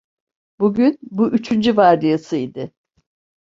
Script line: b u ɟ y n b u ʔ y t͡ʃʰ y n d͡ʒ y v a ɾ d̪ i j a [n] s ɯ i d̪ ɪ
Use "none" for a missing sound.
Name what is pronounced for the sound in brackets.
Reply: none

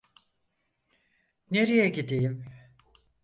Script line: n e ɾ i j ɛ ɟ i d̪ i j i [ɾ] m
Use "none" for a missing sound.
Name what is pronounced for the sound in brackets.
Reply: none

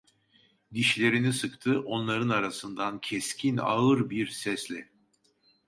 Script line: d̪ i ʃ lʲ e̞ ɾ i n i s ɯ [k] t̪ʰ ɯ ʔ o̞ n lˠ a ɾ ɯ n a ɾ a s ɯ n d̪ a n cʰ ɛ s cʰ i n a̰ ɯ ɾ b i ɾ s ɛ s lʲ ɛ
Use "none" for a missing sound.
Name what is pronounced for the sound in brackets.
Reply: k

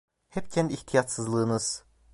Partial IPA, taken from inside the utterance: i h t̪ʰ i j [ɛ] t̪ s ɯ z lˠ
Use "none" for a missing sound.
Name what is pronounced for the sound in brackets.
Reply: a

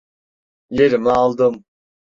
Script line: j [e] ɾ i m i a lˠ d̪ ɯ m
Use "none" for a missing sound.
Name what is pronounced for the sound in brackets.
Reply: e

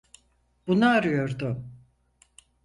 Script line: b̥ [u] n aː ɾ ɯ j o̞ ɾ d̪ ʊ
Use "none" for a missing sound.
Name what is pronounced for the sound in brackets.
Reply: u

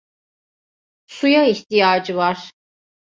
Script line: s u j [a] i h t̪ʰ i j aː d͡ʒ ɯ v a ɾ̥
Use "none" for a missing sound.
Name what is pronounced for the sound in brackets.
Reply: a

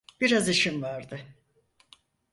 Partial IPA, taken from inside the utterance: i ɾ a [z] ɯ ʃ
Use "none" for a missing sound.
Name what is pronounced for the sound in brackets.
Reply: z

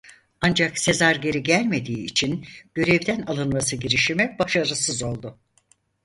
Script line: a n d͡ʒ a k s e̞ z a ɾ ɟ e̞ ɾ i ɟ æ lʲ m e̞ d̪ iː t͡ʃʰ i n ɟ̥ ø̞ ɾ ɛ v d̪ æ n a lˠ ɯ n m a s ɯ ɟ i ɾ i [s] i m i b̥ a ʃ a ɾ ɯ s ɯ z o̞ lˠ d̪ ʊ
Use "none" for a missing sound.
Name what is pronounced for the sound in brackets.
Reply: ʃ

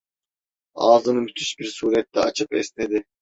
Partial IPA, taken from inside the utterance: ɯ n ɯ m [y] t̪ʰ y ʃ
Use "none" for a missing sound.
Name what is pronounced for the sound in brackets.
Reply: y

